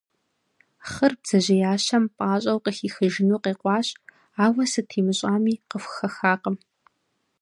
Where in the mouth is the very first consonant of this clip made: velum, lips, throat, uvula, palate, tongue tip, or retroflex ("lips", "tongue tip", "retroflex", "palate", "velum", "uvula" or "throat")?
uvula